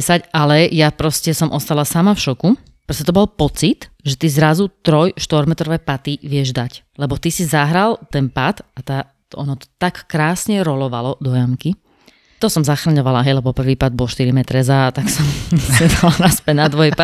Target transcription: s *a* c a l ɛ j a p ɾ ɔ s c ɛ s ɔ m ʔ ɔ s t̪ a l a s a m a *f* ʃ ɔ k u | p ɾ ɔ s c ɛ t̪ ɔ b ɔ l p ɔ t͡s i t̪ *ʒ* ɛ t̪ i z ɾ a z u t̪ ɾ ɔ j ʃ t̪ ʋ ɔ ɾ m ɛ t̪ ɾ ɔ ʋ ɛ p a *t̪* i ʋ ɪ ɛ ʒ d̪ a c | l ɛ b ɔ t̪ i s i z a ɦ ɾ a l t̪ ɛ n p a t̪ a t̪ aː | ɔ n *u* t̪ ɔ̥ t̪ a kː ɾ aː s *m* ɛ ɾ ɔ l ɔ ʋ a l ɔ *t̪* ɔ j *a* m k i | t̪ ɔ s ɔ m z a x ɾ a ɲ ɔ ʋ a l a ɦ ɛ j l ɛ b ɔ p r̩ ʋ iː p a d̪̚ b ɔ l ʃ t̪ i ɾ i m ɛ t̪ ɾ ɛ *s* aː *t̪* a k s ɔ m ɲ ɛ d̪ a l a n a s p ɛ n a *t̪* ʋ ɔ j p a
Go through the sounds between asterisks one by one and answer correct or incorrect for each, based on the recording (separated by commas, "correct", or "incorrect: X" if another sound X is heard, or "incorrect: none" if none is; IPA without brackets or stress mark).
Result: correct, correct, correct, correct, incorrect: ɔ, incorrect: ɲ, incorrect: d̪, correct, incorrect: z, correct, incorrect: d̪